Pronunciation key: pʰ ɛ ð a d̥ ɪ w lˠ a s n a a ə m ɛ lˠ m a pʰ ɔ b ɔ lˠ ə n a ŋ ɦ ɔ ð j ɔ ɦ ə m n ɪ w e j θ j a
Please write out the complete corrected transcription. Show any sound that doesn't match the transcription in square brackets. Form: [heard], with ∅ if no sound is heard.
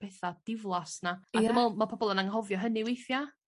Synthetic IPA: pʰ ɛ [θ] a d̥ ɪ [v] lˠ a s n a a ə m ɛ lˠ m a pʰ ɔ b ɔ lˠ ə n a ŋ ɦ ɔ [v] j ɔ ɦ ə [∅] n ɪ w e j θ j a